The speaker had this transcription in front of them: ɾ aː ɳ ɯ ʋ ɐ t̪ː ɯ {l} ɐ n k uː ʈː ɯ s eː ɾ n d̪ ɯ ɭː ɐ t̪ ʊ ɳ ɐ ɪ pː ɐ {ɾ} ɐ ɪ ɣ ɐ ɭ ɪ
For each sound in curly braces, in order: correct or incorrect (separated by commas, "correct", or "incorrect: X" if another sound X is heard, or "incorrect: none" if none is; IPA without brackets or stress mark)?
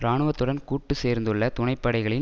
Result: incorrect: ɽ, incorrect: ɽ